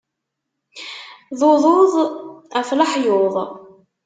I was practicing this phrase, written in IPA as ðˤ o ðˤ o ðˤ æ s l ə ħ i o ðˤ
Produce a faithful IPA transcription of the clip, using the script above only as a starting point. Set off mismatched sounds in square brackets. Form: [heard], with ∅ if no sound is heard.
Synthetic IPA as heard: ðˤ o ðˤ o ðˤ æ [f] l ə ħ [j] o ðˤ

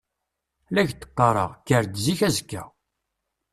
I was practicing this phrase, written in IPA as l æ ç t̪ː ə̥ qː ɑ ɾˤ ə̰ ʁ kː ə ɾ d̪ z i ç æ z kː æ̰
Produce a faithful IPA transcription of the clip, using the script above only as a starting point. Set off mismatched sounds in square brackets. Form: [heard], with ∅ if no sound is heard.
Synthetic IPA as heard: l æ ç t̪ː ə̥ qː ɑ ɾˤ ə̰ ʁ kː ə ɾ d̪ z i ç æ z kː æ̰

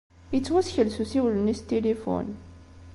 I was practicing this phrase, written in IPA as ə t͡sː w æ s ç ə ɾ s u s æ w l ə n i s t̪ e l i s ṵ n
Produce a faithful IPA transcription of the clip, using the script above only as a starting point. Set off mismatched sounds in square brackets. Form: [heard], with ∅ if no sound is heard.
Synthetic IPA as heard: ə t͡sː w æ s ç ə [l] s u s [i] w l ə n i s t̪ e l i [f] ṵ n

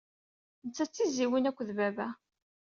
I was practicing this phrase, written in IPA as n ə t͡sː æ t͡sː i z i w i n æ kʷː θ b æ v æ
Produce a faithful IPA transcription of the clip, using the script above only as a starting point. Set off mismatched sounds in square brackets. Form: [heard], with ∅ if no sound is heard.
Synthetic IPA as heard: n ə t͡sː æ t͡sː i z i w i n æ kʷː [ð] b æ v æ

